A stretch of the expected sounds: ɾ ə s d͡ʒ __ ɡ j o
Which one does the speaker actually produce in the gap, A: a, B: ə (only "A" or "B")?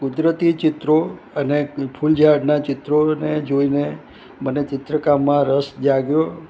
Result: A